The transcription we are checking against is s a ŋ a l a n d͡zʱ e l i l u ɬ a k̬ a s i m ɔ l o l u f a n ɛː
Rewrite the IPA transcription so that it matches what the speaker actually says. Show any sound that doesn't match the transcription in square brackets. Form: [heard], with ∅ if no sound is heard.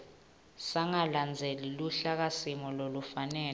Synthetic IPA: s a ŋ a l a n d͡zʱ e l i l u ɬ a k̬ a s i m ɔ l o l u f a n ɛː